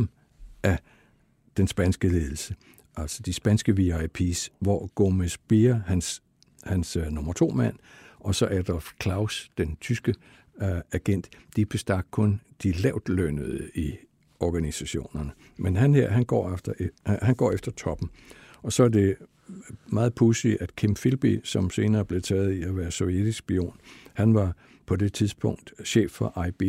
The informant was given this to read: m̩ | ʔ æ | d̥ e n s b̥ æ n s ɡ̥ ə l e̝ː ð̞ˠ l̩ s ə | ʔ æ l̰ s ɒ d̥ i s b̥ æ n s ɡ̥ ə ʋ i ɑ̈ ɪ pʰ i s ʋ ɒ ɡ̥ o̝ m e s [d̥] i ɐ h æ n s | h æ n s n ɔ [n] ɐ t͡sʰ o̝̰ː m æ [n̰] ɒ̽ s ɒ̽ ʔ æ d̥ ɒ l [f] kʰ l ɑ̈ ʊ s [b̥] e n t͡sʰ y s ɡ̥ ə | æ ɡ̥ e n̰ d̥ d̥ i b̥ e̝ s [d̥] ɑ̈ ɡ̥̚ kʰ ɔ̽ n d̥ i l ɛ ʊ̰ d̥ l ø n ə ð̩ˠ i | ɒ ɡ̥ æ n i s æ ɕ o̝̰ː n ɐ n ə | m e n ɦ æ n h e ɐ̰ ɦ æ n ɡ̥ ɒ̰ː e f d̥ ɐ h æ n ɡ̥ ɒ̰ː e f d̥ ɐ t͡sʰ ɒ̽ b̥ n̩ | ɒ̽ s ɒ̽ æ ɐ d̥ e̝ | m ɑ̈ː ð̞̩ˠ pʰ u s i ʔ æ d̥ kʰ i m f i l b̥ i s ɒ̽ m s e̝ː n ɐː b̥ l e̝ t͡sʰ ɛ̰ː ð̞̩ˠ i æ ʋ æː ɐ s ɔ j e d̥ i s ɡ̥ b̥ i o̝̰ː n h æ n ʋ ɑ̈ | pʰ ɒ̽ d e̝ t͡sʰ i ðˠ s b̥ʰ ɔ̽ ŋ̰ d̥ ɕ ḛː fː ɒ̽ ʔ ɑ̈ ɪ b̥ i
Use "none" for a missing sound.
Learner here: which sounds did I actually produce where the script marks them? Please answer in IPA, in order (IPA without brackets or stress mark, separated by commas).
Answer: b̥, m, n̰, f, d̥, d̥